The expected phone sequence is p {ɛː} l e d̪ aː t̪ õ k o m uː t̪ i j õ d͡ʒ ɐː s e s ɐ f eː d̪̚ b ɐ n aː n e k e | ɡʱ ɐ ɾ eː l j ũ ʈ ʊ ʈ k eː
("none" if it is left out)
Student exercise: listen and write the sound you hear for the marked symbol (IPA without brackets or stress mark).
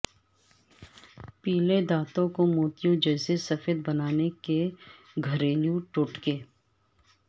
iː